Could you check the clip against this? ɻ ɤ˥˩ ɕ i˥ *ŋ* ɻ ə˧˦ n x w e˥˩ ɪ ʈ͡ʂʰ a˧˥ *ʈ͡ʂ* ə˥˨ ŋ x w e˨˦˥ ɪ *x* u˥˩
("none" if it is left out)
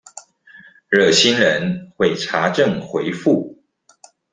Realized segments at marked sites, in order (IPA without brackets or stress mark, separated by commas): n, ʈ͡ʂ, f